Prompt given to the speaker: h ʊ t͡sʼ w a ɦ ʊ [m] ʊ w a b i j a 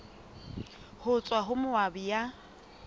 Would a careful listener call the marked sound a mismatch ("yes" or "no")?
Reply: no